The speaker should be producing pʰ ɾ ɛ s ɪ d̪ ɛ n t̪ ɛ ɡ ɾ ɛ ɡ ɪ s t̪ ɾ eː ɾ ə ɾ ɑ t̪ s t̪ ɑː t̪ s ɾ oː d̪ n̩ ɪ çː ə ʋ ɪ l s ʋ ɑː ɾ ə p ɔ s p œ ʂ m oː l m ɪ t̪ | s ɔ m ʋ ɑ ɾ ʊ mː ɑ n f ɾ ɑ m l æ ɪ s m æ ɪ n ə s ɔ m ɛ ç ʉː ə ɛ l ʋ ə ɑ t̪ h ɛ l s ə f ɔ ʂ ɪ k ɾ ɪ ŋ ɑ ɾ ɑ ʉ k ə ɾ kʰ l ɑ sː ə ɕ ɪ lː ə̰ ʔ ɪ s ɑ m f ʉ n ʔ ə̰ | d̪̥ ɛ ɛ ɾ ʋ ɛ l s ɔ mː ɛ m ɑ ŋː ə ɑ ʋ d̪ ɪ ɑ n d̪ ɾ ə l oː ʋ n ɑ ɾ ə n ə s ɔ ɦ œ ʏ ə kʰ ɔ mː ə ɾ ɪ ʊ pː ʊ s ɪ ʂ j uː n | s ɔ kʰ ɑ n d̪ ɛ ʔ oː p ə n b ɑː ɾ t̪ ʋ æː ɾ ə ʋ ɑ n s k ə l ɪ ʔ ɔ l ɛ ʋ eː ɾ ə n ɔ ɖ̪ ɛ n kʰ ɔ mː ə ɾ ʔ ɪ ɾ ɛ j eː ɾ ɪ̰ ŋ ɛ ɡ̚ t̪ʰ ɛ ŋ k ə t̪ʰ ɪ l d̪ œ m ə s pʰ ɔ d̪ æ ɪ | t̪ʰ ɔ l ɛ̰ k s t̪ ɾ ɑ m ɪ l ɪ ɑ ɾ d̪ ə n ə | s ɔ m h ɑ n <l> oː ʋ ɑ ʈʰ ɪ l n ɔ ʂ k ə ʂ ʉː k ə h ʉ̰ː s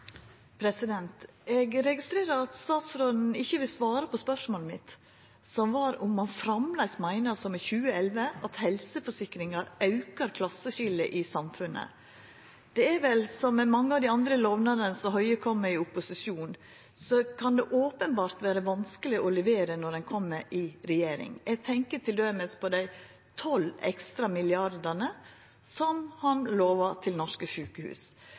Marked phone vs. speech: correct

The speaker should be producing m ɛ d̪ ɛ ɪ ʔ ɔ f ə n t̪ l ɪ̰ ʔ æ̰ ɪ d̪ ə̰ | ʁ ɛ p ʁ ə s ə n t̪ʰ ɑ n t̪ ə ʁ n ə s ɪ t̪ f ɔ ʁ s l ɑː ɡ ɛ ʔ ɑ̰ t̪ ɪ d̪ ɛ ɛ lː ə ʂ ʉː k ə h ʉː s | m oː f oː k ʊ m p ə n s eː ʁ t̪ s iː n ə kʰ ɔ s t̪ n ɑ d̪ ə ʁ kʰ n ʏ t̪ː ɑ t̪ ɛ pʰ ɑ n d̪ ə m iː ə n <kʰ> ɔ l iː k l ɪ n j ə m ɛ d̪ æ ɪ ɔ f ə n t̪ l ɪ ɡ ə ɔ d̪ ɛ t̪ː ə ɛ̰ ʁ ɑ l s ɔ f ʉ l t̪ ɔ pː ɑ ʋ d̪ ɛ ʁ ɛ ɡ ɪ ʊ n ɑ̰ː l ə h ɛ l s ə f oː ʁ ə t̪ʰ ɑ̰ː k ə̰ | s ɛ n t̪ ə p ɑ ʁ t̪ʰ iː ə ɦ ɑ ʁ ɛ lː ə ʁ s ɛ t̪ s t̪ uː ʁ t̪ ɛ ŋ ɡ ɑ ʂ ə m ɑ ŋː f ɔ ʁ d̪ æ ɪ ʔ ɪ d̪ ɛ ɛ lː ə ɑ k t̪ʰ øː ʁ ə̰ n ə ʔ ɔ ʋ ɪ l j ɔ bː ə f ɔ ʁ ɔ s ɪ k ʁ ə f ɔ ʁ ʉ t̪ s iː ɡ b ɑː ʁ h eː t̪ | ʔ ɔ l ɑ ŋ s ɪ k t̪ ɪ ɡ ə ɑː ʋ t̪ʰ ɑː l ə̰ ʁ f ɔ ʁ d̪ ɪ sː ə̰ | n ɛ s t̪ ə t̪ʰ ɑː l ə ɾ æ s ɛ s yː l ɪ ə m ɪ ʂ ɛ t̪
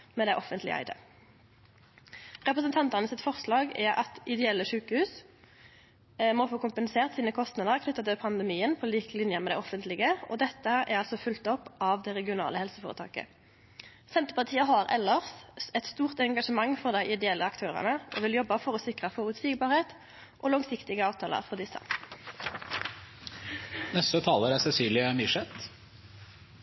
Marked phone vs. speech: incorrect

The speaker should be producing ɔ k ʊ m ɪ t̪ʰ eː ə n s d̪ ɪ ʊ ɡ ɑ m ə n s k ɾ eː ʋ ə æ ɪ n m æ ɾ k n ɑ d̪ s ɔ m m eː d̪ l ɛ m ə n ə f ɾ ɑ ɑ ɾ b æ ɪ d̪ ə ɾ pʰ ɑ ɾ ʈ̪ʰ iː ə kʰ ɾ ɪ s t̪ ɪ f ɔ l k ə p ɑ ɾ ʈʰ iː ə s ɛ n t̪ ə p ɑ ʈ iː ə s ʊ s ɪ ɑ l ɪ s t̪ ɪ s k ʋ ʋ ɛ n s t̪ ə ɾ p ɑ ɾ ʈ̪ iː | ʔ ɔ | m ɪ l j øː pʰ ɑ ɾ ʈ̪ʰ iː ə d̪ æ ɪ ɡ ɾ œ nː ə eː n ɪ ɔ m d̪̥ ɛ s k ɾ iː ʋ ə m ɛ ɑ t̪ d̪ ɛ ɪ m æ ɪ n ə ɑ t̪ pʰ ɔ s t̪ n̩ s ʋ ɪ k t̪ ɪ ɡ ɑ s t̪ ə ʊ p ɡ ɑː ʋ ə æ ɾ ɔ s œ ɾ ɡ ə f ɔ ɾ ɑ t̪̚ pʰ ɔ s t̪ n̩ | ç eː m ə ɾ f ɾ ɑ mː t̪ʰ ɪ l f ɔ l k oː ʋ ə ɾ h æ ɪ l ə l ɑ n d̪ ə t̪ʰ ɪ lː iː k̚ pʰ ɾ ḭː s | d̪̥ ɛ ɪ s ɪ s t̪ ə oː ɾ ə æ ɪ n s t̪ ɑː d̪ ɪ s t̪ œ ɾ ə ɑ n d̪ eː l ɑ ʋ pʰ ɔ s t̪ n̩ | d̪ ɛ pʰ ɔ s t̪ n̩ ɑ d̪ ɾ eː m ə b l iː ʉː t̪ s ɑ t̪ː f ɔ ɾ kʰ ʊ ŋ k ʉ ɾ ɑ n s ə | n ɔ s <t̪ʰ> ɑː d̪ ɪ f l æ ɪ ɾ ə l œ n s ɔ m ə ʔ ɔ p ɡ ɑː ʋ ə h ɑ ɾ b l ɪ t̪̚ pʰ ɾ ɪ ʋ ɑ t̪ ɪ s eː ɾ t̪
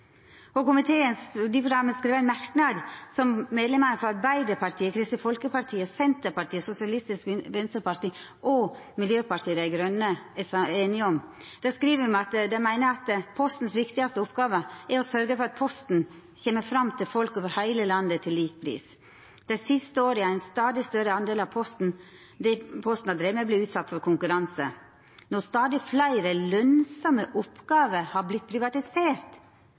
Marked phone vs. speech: incorrect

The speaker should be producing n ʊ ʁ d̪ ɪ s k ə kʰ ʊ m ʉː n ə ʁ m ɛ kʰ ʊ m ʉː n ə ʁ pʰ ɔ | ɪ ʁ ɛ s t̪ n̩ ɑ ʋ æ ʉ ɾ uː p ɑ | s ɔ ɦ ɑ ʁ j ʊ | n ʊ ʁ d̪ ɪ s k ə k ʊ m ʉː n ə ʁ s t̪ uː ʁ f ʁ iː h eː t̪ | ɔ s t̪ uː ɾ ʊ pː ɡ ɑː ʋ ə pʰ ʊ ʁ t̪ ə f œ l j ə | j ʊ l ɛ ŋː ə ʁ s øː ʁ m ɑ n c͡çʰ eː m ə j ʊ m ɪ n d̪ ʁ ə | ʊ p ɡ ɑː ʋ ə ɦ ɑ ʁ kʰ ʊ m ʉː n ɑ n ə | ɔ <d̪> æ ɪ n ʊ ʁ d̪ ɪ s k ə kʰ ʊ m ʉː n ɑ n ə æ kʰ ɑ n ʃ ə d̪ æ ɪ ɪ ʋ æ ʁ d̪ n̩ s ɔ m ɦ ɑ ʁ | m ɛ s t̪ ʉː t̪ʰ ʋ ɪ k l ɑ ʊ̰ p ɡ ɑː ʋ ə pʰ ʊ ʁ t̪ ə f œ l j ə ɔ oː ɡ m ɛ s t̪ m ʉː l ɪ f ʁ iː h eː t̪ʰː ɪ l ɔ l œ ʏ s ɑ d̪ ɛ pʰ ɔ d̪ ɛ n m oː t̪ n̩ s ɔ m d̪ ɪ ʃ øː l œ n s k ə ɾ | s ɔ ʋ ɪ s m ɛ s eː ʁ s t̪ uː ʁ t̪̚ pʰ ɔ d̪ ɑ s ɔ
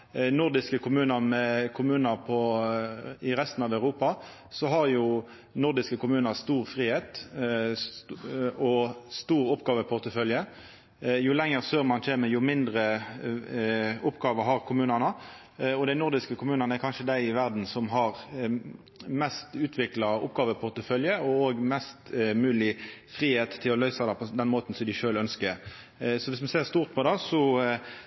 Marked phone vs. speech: correct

